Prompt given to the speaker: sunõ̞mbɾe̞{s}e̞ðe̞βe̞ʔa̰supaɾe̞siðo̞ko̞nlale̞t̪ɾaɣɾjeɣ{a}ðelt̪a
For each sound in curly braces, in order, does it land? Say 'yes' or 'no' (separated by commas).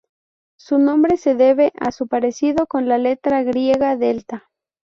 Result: yes, yes